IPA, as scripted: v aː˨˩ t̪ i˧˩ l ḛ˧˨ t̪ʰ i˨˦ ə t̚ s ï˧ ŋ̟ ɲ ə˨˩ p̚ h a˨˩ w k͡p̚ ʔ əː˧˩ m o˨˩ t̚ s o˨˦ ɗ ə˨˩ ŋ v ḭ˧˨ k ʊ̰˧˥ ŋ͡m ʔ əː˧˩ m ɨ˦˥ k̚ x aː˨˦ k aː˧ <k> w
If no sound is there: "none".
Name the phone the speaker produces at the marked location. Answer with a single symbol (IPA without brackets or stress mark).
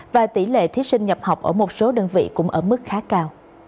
none